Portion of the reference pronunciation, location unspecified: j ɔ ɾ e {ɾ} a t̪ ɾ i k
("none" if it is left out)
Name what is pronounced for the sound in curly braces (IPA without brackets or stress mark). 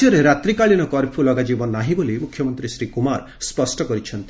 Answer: ɾ